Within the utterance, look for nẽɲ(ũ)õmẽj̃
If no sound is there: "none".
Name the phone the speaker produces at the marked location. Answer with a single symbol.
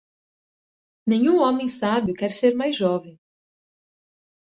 ũ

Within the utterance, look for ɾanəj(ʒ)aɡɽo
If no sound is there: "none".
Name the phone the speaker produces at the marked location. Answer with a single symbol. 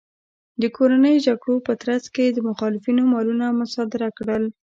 ʒ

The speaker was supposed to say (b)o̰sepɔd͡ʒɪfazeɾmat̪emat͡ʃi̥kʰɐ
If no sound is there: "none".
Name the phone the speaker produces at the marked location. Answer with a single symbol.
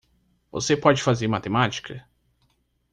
v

